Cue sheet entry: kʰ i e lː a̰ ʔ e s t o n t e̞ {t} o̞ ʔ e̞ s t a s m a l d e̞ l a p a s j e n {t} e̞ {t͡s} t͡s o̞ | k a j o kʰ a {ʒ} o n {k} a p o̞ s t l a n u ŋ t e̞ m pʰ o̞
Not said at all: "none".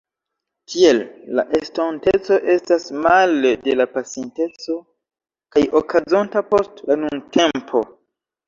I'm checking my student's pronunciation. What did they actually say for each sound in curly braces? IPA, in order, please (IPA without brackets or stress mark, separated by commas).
t͡s, t, t͡s, z, t